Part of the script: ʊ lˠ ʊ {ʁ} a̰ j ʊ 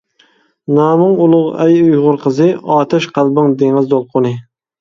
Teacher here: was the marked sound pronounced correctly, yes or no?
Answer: yes